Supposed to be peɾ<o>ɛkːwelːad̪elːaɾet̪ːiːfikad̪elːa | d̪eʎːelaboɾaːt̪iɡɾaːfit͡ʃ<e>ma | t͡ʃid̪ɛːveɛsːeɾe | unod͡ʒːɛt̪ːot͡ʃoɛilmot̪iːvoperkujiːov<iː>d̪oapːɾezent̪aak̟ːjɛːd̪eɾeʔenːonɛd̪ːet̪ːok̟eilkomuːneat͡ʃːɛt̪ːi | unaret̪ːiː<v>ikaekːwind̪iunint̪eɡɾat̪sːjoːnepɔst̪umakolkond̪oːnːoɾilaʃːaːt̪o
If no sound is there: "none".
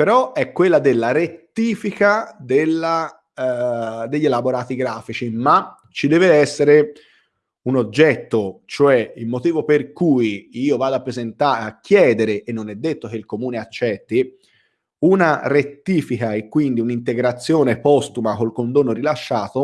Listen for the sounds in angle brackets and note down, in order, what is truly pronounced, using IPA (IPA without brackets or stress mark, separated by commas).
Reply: ɔ, i, aː, f